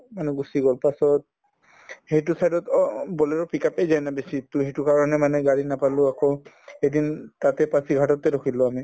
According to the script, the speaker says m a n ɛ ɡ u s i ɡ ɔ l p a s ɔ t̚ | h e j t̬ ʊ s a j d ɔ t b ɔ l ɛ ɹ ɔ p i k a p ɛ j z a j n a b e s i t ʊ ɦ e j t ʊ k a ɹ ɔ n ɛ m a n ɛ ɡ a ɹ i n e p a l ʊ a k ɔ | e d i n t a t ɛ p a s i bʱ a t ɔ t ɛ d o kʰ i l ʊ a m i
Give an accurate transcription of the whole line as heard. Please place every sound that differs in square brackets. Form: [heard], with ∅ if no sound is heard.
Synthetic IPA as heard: m a n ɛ ɡ u s i ɡ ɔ l p a s ɔ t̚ | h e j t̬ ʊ s a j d ɔ t b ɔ l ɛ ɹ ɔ p i k a p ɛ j z a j n a b e s i t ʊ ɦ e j t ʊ k a ɹ ɔ n ɛ m a n ɛ ɡ a ɹ i n [a] p a l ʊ a k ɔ | e d i n t a t ɛ p a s i [ɡʱ] a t ɔ t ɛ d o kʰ i l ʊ a m i